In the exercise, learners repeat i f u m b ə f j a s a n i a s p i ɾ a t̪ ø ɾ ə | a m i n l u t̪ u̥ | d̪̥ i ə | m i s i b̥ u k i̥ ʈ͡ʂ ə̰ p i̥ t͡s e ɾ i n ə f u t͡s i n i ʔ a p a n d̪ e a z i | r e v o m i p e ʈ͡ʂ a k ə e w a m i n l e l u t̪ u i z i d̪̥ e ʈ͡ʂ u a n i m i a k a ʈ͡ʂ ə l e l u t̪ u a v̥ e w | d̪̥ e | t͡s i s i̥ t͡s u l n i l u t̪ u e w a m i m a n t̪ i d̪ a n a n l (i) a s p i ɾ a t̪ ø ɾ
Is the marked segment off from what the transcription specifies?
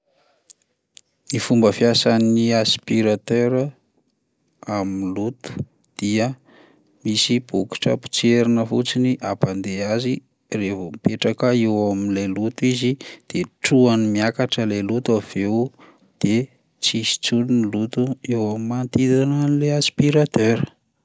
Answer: yes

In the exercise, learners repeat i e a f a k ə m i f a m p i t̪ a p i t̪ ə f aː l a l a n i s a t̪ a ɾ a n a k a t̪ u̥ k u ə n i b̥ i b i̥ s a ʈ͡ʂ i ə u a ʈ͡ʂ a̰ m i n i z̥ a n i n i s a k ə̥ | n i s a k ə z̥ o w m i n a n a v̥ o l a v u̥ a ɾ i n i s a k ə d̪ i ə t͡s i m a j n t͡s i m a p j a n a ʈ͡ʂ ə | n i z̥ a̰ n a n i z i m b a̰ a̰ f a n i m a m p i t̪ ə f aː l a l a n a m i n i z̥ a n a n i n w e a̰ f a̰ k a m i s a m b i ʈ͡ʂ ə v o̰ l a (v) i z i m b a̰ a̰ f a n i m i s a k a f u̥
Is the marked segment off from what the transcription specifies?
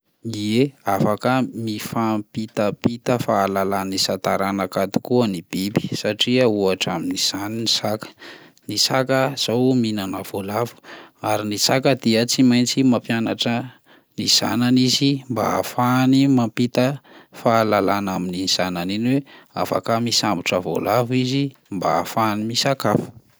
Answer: no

